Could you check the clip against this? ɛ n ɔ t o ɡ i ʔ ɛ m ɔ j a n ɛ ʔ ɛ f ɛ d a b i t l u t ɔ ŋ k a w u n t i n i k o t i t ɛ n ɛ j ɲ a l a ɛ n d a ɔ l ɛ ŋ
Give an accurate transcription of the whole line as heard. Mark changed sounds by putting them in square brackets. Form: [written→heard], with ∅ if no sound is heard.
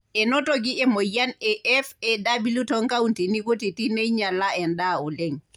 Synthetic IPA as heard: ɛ n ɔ t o ɡ i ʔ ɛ m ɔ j a n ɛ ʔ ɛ f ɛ d a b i [t→∅] l u t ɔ ŋ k a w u n t i n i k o t i t [ɛ→i] n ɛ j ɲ a l a ɛ n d a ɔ l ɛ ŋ